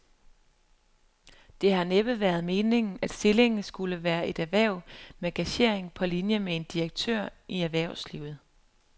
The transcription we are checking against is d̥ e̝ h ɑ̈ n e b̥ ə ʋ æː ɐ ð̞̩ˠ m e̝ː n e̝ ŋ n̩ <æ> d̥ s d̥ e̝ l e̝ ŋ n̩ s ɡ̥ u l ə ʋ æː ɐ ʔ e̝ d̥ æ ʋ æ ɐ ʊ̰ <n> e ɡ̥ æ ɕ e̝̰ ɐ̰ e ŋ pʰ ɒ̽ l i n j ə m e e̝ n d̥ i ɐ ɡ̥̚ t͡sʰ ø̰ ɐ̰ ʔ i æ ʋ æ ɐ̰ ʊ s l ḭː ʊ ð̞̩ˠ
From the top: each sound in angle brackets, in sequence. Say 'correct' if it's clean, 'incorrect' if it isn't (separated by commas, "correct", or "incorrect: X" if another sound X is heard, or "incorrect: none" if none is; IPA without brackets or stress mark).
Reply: correct, incorrect: m